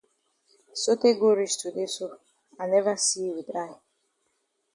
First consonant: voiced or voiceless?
voiceless